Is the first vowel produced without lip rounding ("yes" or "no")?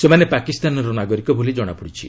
yes